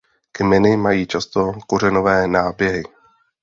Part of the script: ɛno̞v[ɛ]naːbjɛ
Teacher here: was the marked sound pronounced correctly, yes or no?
no